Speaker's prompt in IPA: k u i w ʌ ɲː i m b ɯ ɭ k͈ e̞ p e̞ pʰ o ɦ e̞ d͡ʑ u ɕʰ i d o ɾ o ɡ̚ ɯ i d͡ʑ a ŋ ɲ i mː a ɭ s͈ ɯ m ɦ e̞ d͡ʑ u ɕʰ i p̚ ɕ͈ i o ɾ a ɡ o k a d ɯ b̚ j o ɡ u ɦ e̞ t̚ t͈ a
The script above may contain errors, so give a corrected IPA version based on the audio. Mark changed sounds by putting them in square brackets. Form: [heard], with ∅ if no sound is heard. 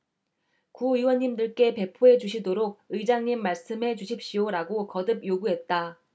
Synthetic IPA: k u i w ʌ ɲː i m [d] ɯ ɭ k͈ e̞ p e̞ pʰ o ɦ e̞ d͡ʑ u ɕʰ i d o ɾ o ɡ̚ ɯ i d͡ʑ a ŋ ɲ i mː a ɭ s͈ ɯ m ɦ e̞ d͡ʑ u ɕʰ i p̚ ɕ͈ i o ɾ a ɡ o k [ʌ] d ɯ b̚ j o ɡ u ɦ e̞ t̚ t͈ a